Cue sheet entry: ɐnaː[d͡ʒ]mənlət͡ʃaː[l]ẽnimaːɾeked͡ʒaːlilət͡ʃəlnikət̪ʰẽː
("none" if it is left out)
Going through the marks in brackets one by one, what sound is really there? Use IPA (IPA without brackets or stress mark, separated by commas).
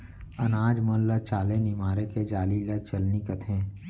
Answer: d͡ʒ, l